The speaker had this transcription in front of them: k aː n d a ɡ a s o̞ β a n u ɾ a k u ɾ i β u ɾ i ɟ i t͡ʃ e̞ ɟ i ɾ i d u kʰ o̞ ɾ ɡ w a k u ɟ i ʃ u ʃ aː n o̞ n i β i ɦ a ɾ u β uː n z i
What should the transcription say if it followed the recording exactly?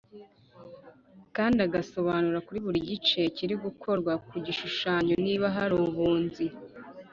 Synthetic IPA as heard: k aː n d a ɡ a s o̞ β a n u ɾ a k u ɾ i β u ɾ i ɟ i t͡ʃ e̞ c i ɾ i ɡ u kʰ o̞ ɾ ɡ w a k u ɟ i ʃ u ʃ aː ɲ o̞ n i β a ɦ a ɾ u β uː n z i

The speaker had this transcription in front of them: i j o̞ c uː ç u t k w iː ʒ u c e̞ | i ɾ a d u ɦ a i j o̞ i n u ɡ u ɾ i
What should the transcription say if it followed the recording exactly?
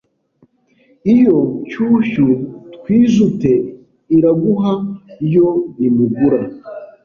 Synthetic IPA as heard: i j o̞ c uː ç u t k w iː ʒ u t e̞ | i ɾ a ɡ u ɦ a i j o̞ i m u ɡ u ɾ a

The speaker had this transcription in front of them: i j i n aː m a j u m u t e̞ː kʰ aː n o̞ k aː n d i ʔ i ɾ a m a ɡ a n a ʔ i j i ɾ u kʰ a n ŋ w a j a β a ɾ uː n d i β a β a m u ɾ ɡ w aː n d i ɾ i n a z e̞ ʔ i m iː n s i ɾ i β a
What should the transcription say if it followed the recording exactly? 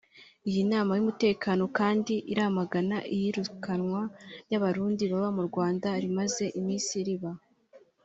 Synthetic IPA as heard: i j i n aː m a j u m u t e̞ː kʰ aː n o̞ k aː n d i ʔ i ɾ a m a ɡ a n a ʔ i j i ɾ u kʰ a n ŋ w a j a β a ɾ uː n d i β a β a m u ɾ ɡ w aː n d a ɾ i m a z e̞ ʔ i m iː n s i ɾ i β a

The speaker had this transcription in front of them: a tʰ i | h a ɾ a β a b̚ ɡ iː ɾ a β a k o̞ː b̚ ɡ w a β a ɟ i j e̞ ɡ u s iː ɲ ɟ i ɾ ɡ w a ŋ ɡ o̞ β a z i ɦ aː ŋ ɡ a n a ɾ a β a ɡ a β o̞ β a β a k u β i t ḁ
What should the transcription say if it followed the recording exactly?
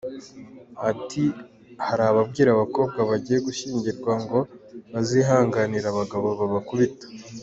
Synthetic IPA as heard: a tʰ i | h a ɾ a β a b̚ ɡ iː ɾ a β a k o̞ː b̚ ɡ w a β a ɟ i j e̞ ɡ u ʃ iː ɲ ɟ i ɾ ɡ w a ŋ ɡ o̞ β a z i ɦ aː ŋ ɡ a n i ɾ a β a ɡ a β o̞ β a β a k u β i t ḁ

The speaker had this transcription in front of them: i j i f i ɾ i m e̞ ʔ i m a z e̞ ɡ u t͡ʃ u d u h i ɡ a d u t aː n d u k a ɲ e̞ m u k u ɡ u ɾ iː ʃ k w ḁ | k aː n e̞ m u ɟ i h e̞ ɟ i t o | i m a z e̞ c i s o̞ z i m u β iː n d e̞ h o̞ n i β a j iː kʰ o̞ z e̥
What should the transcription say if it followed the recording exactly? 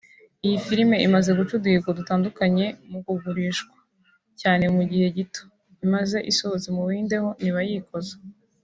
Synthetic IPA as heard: i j i f i ɾ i m e̞ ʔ i m a z e̞ ɡ u t͡ʃ u d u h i ɡ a d u t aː n d u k a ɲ e̞ m u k u ɡ u ɾ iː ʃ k w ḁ | c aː n e̞ m u ɟ i h e̞ ɟ i t o | i m a z e̞ ʔ i s o̞ z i m u β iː n d e̞ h o̞ n i β a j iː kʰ o̞ z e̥

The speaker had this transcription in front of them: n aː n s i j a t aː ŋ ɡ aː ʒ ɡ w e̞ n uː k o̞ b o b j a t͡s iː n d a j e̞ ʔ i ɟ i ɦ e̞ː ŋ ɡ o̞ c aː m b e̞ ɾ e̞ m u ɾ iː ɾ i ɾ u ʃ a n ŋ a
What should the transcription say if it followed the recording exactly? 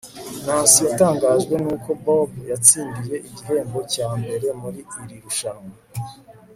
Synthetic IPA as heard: n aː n s i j a t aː ŋ ɡ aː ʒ ɡ w e̞ n uː k o̞ b o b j a t͡s iː n d i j e̞ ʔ i ɟ i ɦ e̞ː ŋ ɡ o̞ c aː m b e̞ ɾ e̞ m u ɾ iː ɾ i ɾ u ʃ a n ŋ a

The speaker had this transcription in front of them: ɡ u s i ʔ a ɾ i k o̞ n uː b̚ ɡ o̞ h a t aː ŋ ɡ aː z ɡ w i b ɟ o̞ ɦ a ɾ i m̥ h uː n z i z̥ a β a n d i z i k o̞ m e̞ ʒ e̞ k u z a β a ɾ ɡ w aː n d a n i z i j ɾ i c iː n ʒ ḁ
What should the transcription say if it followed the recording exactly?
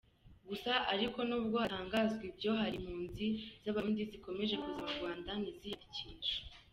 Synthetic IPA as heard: ɡ u s a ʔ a ɾ i k o̞ n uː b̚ ɡ o̞ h a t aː ŋ ɡ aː z ɡ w i b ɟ o̞ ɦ a ɾ i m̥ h uː n z i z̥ a β a n d i z i k o̞ m e̞ ʒ e̞ k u z a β a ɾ ɡ w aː n d a n i z i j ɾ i c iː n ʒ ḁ

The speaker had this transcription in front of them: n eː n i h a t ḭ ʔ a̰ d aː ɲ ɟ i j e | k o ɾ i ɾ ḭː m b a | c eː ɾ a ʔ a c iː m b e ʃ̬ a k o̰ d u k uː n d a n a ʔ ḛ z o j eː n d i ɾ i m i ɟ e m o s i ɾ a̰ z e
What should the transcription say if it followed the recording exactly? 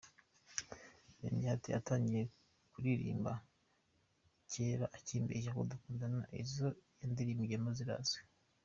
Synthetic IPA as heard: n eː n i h a t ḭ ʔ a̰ t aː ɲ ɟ i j e | k u ɾ i ɾ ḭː m b a | c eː ɾ a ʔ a c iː m b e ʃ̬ a k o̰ d u k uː n d a n a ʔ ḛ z o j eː n d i ɾ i m i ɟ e m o z i ɾ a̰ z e

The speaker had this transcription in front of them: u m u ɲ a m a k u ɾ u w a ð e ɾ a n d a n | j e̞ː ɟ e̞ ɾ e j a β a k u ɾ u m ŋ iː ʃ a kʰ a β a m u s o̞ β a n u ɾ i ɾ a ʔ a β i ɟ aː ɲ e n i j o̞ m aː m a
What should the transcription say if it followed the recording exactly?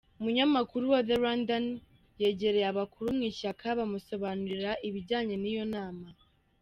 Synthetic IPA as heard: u m u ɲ a m a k u ɾ u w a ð e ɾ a n d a n | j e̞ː ɟ e̞ ɾ e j a β a k u ɾ u m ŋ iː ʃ a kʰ a β a m u s o̞ β a n u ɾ i ɾ a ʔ i β i ɟ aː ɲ e n i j o̞ n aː m a

